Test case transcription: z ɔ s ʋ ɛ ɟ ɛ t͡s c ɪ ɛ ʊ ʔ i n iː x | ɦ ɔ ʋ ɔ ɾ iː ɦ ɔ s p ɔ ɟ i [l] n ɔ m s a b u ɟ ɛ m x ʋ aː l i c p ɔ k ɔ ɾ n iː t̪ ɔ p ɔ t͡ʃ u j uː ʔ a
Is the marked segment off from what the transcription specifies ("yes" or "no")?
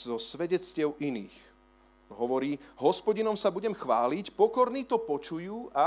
yes